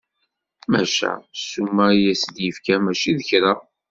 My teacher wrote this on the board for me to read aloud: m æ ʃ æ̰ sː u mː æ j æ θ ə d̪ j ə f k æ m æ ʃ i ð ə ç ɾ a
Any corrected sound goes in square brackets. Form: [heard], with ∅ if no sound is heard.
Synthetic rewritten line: m æ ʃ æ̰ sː u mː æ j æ [s] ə d̪ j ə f k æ m æ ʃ i ð ə ç ɾ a